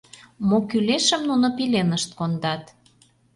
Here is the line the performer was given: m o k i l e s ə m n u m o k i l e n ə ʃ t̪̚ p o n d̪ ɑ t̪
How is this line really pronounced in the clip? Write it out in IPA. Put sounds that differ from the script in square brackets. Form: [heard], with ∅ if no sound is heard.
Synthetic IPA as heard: m o k [y] l e [ʃ] ə m n u [n] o [p] i l e n ə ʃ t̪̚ [k] o n d̪ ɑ t̪